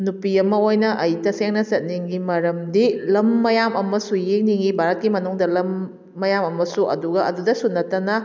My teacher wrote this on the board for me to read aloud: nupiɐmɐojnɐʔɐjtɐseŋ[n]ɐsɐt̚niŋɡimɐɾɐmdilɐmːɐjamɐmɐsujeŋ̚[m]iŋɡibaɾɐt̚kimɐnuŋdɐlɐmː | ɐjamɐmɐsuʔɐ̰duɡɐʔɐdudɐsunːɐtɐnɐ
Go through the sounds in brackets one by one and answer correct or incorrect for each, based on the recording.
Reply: correct, incorrect

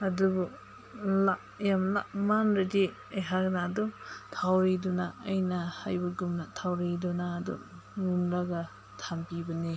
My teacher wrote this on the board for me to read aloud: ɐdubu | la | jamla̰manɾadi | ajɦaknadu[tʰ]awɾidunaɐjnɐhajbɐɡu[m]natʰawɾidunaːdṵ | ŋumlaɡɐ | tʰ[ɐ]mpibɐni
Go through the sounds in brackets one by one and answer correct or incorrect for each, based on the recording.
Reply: correct, correct, incorrect

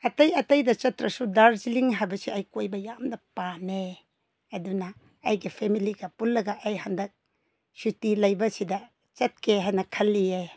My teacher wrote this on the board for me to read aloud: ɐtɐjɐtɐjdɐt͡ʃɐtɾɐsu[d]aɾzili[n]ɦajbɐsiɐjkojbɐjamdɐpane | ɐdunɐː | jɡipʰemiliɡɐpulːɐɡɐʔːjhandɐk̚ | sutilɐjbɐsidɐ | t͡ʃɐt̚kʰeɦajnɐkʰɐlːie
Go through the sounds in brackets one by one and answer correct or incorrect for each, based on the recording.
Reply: correct, incorrect

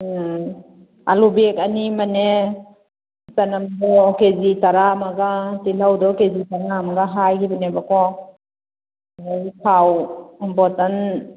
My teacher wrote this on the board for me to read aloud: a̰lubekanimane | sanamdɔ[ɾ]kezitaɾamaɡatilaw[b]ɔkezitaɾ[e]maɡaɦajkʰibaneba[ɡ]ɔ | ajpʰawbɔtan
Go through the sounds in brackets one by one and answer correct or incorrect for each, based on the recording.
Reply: incorrect, incorrect, incorrect, incorrect

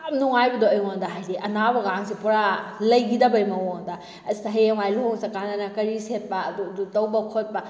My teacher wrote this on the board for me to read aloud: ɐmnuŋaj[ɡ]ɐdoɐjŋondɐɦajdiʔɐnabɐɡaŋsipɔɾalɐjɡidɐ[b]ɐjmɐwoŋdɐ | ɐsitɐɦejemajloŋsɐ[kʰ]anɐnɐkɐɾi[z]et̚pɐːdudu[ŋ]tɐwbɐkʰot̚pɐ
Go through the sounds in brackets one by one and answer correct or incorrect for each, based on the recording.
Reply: incorrect, correct, incorrect, incorrect, incorrect

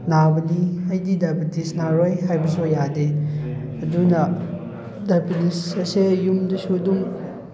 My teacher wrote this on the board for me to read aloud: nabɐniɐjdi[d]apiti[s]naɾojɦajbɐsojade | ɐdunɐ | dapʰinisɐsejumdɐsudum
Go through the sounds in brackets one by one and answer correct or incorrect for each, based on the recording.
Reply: correct, correct

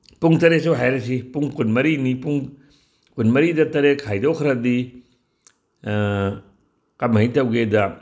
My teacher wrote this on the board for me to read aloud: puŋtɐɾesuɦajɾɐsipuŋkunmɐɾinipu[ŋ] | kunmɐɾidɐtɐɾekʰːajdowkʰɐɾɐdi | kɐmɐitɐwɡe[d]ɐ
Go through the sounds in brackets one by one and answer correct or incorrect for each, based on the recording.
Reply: correct, correct

